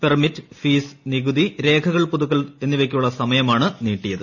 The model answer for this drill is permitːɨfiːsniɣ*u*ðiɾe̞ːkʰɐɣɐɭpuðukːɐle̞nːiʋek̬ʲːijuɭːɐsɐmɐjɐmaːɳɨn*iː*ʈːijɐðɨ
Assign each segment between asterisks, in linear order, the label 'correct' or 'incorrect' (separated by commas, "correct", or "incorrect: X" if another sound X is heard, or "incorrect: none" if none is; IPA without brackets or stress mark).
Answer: correct, correct